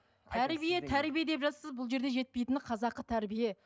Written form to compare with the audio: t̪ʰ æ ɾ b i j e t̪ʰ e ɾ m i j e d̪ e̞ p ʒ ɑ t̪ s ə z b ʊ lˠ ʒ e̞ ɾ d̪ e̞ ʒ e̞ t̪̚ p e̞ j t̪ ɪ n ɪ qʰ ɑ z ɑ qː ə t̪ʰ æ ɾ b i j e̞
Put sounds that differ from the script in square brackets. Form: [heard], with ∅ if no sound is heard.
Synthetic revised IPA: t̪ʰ æ ɾ b i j e t̪ʰ [æ] ɾ [b] i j e d̪ e̞ p ʒ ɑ t̪ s ə z b ʊ lˠ ʒ e̞ ɾ d̪ e̞ ʒ e̞ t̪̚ p e̞ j t̪ ɪ n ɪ qʰ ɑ z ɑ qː ə t̪ʰ æ ɾ b i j e̞